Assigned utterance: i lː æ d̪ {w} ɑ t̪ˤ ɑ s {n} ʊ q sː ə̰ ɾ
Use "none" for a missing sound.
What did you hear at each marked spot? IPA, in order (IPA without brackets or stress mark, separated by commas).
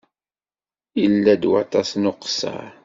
w, n